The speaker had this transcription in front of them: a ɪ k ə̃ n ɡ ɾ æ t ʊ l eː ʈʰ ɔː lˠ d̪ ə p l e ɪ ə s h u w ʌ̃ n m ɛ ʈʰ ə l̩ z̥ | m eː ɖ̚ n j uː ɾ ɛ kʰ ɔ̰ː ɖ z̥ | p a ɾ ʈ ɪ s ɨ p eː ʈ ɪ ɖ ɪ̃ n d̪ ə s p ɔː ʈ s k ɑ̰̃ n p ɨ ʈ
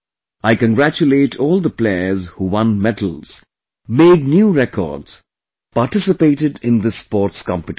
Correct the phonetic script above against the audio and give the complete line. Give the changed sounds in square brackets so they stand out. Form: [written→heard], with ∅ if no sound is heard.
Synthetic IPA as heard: a ɪ k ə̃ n ɡ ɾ æ [t→t͡ʃ] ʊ l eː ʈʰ ɔː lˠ d̪ ə p l e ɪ ə [s→z] h u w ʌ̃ n m ɛ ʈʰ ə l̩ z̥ | m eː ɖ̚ n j uː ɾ ɛ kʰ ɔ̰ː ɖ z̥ | p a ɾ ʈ ɪ s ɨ p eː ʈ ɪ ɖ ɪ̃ n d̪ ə s p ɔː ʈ s k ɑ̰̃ [n→m] p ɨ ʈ